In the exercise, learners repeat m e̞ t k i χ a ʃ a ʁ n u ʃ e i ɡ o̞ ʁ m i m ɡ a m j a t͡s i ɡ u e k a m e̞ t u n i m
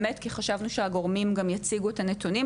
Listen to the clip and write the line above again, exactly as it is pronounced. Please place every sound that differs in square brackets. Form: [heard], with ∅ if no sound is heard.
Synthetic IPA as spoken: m e̞ t k i χ a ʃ a [v] n u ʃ e [a] ɡ o̞ ʁ m i m ɡ a m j a t͡s i ɡ u e [t] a [n] e̞ t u n i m